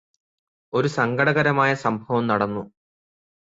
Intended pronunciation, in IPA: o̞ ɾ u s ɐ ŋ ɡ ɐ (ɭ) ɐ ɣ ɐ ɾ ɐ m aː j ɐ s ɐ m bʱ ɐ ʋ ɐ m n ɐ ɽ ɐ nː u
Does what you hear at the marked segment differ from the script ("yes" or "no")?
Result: yes